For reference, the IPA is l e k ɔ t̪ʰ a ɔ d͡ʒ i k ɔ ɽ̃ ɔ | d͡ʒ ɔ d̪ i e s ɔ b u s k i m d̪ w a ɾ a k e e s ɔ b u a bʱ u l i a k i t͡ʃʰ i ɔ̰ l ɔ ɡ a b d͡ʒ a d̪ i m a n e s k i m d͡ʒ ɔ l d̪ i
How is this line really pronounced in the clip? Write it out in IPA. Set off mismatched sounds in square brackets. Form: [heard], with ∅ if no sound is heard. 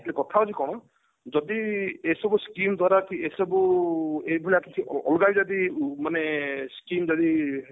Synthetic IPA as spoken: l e k ɔ t̪ʰ a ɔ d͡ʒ i k ɔ ɽ̃ ɔ | d͡ʒ ɔ d̪ i e s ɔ b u s k i m d̪ w a ɾ a k [i] e s ɔ b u [e] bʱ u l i a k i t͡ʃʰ i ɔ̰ l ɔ ɡ a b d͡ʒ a d̪ i m a n e s k i m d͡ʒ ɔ [∅] d̪ i